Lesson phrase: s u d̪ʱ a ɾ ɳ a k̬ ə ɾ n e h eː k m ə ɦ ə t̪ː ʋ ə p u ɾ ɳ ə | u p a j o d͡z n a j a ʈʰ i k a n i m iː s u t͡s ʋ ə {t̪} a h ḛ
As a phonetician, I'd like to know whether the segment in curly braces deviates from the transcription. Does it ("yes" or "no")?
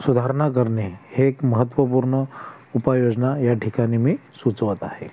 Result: no